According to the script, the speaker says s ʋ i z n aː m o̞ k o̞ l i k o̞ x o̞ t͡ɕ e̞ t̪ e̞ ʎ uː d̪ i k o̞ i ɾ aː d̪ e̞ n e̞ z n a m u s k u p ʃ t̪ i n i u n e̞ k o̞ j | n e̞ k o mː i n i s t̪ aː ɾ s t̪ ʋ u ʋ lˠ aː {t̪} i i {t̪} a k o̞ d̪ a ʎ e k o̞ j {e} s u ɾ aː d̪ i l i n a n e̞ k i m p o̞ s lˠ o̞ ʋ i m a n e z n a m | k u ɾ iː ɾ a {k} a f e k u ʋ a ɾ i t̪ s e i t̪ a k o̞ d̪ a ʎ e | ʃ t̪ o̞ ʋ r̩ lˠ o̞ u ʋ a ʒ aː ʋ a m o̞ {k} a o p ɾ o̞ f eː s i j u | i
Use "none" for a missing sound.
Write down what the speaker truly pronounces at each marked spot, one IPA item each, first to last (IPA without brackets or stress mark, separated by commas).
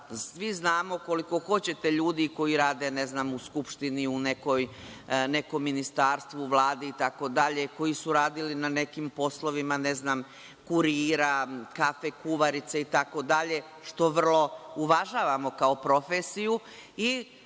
d̪, t̪, i, k, k